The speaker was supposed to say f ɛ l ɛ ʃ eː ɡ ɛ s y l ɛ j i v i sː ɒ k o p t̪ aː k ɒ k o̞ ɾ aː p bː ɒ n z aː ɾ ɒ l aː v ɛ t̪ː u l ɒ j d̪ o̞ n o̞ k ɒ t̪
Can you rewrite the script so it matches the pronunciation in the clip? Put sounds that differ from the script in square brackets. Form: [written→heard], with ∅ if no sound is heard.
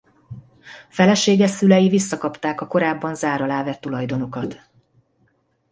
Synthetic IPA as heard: f ɛ l ɛ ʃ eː ɡ ɛ s y l ɛ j i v i sː ɒ k [o→ɒ] p t̪ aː k ɒ k o̞ ɾ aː [p→∅] bː ɒ n z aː ɾ ɒ l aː v ɛ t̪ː u l ɒ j d̪ o̞ n o̞ k ɒ t̪